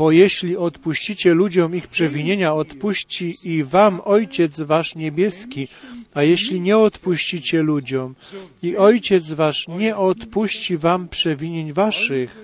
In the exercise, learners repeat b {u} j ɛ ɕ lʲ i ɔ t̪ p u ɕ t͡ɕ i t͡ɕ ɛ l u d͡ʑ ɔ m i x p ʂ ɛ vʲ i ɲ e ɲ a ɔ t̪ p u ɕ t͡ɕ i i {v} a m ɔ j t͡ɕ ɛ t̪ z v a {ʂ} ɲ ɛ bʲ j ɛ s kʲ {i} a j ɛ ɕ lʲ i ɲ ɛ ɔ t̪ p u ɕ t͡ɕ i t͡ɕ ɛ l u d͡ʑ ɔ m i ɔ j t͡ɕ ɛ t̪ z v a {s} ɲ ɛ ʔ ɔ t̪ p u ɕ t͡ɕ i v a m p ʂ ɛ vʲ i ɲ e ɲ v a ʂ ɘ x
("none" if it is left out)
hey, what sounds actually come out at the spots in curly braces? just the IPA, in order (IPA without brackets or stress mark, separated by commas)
ɔ, v, ʂ, i, ʂ